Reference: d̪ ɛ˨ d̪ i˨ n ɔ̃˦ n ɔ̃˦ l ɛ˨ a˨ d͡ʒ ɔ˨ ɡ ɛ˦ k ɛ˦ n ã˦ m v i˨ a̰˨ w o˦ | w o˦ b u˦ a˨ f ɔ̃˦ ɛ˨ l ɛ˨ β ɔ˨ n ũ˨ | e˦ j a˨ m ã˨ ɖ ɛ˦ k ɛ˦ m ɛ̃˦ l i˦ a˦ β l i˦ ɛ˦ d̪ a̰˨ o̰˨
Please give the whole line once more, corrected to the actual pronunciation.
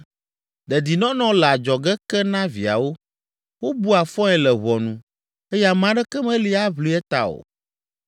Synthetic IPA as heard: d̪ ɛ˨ d̪ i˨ n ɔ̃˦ n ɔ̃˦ l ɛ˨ a˨ d͡ʒ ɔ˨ ɡ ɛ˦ k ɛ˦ n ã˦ v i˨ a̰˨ w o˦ | w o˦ b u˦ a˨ f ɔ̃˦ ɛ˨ l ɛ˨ β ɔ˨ n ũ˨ | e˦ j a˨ m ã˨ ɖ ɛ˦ k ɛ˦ m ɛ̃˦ l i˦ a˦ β l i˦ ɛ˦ t̪ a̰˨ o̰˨